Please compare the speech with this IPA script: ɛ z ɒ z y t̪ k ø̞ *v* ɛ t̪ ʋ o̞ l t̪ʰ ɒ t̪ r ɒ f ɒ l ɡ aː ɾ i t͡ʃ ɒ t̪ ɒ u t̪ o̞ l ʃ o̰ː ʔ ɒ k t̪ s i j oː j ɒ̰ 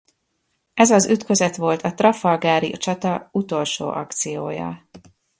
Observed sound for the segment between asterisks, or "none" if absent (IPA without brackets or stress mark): z